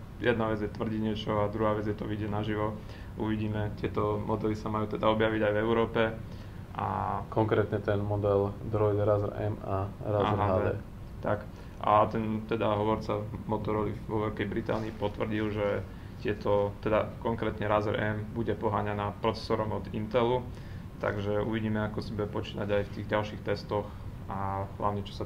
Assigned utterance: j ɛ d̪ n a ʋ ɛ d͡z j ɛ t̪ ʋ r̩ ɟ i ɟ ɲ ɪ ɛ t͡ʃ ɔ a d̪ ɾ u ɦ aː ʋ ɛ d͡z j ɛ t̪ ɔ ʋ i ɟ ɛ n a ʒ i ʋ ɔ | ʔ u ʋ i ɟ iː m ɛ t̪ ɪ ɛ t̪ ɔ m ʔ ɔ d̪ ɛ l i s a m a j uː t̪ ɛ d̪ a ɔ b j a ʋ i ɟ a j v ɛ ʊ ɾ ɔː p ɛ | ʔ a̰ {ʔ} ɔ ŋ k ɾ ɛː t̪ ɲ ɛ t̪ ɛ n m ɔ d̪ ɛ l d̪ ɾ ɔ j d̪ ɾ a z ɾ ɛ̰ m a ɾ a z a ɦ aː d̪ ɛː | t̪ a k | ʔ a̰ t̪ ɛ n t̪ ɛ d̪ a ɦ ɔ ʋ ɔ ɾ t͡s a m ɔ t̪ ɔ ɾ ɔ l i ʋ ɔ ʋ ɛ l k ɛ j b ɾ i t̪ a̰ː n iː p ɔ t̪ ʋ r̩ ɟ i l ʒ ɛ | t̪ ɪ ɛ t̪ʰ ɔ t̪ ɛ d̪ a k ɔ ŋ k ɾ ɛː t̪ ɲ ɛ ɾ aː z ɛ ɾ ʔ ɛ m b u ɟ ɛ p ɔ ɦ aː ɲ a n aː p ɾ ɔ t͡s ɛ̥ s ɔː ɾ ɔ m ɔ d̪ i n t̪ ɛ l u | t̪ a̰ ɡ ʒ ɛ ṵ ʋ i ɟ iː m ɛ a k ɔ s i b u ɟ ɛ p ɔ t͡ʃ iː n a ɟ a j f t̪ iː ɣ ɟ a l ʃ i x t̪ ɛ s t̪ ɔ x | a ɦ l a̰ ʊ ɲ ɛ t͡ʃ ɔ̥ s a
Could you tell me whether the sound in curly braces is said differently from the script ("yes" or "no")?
yes